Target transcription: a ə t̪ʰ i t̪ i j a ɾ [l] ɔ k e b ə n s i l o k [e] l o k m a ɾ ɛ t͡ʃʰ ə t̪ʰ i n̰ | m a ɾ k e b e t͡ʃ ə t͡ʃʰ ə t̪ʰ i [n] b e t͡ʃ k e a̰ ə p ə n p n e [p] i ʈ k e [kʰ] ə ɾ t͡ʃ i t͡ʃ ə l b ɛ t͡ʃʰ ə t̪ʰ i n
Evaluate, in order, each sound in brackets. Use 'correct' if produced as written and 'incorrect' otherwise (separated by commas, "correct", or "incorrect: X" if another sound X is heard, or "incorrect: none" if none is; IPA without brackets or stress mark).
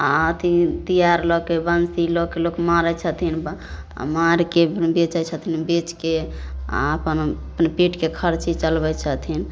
correct, correct, correct, correct, correct